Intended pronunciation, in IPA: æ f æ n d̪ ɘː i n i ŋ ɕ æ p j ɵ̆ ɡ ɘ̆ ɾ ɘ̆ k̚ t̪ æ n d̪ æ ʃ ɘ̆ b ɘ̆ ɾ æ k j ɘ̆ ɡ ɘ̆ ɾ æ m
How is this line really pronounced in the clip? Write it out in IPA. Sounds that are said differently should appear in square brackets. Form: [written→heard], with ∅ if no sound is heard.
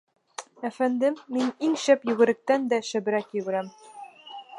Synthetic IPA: æ f æ n d̪ ɘː i n i ŋ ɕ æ p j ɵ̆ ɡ ɘ̆ ɾ ɘ̆ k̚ t̪ æ n d̪ æ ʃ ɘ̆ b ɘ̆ ɾ æ k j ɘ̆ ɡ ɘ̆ ɾ æ m

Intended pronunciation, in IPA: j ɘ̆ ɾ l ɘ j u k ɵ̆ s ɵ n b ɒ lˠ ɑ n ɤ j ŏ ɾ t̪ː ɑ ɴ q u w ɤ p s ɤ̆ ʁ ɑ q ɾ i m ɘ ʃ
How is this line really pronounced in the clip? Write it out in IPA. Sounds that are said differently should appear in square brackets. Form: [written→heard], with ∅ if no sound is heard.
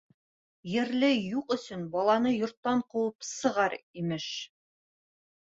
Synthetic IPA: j ɘ̆ ɾ l ɘ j u [k→q] ɵ̆ s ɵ n b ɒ lˠ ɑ n ɤ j ŏ ɾ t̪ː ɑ ɴ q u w ɤ p s ɤ̆ ʁ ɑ [q→∅] ɾ i m ɘ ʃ

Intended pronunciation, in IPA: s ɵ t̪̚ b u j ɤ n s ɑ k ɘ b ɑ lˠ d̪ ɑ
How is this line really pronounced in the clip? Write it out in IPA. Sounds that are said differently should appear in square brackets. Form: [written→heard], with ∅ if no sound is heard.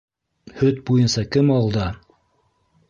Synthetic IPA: [s→h] ɵ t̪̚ b u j ɤ n s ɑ k ɘ [b→m] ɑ lˠ d̪ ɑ

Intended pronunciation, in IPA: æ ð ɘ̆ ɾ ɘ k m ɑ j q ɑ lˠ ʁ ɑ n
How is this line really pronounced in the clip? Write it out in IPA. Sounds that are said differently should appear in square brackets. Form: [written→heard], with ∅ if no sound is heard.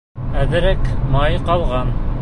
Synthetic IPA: æ ð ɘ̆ ɾ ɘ k m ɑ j q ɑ lˠ ʁ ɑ n

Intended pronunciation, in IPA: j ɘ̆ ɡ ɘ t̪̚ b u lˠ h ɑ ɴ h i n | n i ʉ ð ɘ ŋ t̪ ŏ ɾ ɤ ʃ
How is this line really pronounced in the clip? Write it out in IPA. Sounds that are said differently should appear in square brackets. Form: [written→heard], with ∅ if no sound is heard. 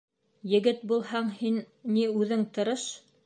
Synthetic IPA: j ɘ̆ ɡ ɘ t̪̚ b u lˠ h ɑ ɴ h i n | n i ʉ ð ɘ ŋ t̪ [ŏ→ɤ̆] ɾ ɤ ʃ

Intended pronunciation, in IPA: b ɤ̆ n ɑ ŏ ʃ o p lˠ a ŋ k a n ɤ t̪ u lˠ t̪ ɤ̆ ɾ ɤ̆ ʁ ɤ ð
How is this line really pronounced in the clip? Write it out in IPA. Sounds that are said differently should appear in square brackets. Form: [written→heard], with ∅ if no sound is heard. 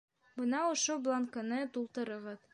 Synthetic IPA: b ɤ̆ n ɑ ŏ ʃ o [p→b] lˠ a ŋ k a n ɤ t̪ u lˠ t̪ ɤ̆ ɾ ɤ̆ ʁ ɤ ð

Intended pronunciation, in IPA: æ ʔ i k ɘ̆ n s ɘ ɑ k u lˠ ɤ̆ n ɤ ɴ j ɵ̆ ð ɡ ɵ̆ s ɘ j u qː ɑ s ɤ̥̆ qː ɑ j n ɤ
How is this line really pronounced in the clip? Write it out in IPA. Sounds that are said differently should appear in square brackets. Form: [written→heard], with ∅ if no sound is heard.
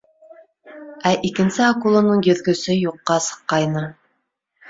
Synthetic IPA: æ ʔ i k ɘ̆ n s ɘ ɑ k u lˠ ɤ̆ n ɤ ɴ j ɵ̆ ð ɡ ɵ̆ s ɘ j u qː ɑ s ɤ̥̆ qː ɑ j n ɤ

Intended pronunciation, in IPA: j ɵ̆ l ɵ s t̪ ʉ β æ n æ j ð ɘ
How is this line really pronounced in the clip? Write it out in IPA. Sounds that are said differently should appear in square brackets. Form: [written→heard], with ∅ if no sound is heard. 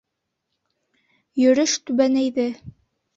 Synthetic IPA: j ɵ̆ [l→ɾ] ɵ [s→ʃ] t̪ ʉ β æ n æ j ð ɘ

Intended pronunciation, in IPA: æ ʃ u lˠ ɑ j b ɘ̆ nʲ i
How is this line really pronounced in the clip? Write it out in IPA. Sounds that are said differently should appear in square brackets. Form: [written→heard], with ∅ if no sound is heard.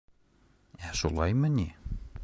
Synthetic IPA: æ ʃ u lˠ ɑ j [b→m] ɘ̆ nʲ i

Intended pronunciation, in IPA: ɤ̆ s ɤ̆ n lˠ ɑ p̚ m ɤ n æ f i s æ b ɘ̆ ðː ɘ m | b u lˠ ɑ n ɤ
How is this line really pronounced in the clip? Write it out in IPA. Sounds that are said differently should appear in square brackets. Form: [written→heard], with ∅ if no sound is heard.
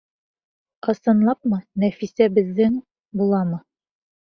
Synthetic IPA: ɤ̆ s ɤ̆ n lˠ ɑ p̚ m ɤ n æ f i s æ b ɘ̆ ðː ɘ [m→ŋ] | b u lˠ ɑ [n→m] ɤ

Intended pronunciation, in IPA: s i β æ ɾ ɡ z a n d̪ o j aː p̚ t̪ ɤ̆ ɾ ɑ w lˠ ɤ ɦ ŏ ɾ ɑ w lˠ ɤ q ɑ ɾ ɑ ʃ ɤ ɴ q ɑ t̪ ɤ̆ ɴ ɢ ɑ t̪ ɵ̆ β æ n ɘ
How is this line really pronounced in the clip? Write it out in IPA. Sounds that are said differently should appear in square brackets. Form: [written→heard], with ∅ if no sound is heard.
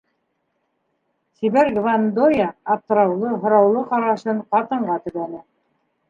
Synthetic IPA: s i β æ ɾ ɡ [z→v] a n d̪ o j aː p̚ t̪ ɤ̆ ɾ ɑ w lˠ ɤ ɦ ŏ ɾ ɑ w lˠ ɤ q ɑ ɾ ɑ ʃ ɤ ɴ q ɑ t̪ ɤ̆ ɴ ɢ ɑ t̪ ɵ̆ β æ n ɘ

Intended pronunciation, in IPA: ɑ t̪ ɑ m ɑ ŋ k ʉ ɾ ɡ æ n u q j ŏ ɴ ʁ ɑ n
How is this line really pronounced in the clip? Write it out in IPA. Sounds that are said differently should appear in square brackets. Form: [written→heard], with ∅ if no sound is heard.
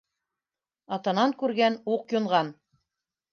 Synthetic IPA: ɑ t̪ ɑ [m→n] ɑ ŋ k ʉ ɾ ɡ æ n u q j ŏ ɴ ʁ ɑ n

